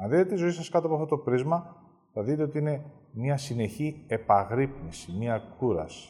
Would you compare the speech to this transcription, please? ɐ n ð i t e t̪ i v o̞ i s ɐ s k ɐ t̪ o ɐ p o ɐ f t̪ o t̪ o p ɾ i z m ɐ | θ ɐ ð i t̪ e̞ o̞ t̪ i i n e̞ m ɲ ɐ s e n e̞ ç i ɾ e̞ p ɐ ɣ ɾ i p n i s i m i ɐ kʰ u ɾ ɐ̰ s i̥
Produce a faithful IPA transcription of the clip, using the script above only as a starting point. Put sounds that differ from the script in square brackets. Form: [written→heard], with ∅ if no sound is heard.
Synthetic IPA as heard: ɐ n ð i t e t̪ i [v→z] o̞ i s ɐ s k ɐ t̪ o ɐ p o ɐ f t̪ o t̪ o p ɾ i z m ɐ | θ ɐ ð i t̪ e̞ o̞ t̪ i i n e̞ m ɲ ɐ s [e→i] n e̞ ç i [ɾ→∅] e̞ p ɐ ɣ ɾ i p n i s i m i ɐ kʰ u ɾ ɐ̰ s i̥